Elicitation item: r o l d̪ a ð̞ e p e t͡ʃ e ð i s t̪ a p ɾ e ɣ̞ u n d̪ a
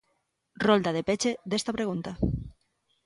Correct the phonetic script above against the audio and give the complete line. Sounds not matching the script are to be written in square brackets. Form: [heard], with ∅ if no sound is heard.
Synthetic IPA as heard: r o l d̪ a ð̞ e p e t͡ʃ e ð [e] s t̪ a p ɾ e ɣ̞ u n [t̪] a

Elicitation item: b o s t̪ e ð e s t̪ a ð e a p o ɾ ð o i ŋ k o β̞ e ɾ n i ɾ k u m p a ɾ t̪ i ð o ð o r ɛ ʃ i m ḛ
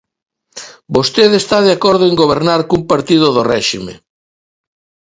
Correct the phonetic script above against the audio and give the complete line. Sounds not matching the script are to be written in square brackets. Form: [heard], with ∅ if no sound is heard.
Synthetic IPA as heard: b o s t̪ e ð e s t̪ a ð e a [k] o ɾ ð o [e] ŋ [ɡ] o β̞ e ɾ n [a] ɾ k u m p a ɾ t̪ i ð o ð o r ɛ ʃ i m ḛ

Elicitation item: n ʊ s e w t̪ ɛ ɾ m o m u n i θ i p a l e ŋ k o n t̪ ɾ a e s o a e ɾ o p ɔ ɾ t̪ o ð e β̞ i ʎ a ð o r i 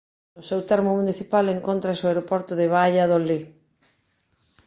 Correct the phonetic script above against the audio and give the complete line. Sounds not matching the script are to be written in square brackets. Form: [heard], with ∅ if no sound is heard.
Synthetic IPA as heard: n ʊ s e w t̪ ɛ ɾ m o m u n i θ i p a l e ŋ k o n t̪ ɾ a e s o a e ɾ o p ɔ ɾ t̪ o ð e β̞ [a] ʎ a ð o [l] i

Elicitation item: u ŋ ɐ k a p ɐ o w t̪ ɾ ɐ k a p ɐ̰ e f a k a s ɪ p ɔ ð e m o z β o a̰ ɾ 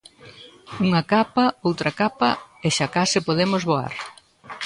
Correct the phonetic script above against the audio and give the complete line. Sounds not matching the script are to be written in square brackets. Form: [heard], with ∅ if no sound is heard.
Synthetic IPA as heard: u ŋ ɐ k a p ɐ o w t̪ ɾ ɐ k a p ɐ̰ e [ʃ] a k a s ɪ p [o] ð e m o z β o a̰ ɾ

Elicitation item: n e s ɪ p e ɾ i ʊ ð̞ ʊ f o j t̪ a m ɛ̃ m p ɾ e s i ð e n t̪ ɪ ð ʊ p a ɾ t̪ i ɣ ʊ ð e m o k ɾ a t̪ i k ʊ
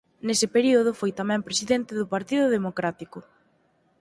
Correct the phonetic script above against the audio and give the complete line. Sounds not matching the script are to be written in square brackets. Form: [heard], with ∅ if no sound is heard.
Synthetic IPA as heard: n e s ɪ p e ɾ i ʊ ð̞ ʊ f o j t̪ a m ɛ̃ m p ɾ e s i ð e n t̪ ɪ ð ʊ p a ɾ t̪ i [ð] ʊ ð e m o k ɾ a t̪ i k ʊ

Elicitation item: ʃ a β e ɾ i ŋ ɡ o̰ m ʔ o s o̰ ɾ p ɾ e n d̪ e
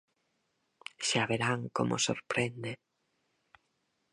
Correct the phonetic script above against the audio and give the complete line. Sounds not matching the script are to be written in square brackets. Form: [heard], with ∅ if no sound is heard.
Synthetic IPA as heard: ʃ a β e ɾ [a] ŋ [k] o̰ m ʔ o s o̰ ɾ p ɾ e n d̪ e

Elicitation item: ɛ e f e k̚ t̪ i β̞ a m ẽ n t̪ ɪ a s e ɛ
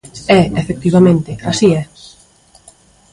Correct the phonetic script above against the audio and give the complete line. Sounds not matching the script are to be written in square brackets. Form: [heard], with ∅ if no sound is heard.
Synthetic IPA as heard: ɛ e f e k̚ t̪ i β̞ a m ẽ n t̪ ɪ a s [i] ɛ

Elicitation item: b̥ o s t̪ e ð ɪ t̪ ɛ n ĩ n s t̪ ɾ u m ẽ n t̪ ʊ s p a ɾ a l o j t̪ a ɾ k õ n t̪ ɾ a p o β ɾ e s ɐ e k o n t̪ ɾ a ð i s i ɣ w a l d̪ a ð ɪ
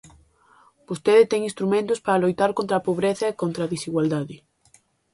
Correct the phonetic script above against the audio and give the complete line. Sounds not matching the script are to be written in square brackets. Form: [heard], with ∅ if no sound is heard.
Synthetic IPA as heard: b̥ o s t̪ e ð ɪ t̪ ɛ [ŋ] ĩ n s t̪ ɾ u m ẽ n t̪ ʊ s p a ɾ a l o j t̪ a ɾ k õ n t̪ ɾ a p o β ɾ e [θ] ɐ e k o n t̪ ɾ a ð i s i ɣ w a l d̪ a ð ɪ

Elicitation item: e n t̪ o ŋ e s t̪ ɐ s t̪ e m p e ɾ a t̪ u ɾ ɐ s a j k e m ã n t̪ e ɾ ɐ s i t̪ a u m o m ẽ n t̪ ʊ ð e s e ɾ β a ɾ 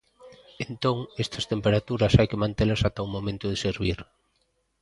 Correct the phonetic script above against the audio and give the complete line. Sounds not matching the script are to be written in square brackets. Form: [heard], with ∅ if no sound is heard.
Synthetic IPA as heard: e n t̪ o ŋ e s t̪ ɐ s t̪ e m p e ɾ a t̪ u ɾ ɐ s a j k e m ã n t̪ e [l] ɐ s [a] t̪ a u m o m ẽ n t̪ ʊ ð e s e ɾ β [i] ɾ

